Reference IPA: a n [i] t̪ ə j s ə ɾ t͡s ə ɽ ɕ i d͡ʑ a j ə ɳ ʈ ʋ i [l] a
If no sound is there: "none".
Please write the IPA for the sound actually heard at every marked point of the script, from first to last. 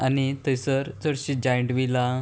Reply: i, l

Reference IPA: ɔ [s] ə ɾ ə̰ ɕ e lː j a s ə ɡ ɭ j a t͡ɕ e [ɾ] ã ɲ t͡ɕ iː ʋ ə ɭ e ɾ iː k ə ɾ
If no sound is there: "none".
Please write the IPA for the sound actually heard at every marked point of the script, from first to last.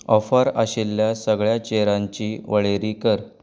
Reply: f, ɾ

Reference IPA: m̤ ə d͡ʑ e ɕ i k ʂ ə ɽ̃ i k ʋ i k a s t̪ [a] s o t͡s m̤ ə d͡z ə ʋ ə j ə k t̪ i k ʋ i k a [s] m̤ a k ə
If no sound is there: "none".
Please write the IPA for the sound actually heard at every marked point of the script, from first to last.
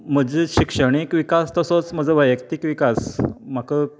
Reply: ə, s

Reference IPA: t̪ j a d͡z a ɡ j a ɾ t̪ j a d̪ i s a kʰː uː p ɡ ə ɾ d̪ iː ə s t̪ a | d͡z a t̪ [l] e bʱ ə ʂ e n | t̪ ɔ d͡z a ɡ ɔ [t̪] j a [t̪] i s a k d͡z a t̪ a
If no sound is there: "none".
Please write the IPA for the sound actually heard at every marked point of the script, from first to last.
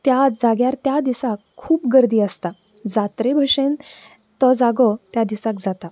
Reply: ɾ, t̪, d̪

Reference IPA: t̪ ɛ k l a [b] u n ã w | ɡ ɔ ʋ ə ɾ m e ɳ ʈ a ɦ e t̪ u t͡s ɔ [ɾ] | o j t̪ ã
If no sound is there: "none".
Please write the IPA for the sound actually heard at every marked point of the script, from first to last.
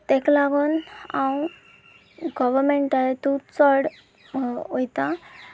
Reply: ɡ, ɽ

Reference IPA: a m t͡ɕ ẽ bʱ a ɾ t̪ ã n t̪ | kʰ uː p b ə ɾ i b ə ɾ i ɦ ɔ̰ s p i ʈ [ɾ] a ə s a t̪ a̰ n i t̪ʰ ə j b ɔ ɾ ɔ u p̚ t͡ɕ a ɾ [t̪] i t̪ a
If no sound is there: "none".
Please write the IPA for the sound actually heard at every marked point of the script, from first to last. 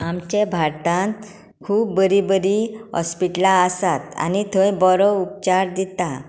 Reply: l, d̪

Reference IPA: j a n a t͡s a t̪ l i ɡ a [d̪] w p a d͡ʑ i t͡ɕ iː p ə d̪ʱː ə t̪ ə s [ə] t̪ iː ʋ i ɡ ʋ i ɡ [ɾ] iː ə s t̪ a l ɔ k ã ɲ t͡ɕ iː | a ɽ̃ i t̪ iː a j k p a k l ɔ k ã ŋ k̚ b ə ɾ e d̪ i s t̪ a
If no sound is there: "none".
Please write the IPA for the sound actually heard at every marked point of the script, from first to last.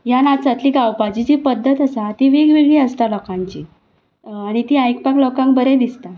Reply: none, a, ɭ

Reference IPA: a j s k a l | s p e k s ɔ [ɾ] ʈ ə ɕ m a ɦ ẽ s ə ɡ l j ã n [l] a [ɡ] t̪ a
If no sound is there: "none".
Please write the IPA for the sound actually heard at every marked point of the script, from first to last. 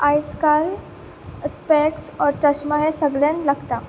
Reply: ɾ, l, ɡ

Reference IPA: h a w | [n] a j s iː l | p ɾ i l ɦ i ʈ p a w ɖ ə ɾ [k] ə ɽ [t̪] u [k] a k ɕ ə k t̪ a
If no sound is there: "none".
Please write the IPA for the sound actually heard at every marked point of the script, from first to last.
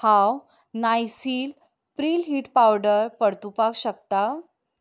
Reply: n, p, t̪, p

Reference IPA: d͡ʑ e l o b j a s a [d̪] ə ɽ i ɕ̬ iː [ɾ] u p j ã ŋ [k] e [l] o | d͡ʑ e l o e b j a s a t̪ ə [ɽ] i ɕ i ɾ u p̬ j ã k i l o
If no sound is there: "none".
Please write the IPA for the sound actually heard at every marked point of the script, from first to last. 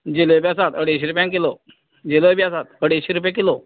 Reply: t̪, ɾ, k, l, ɽ

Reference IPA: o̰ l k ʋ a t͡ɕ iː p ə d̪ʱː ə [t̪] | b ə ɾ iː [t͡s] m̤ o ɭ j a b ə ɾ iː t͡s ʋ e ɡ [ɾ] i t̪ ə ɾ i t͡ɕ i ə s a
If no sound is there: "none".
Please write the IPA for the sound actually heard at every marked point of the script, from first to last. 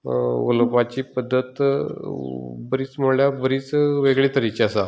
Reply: t̪, t͡s, ɭ

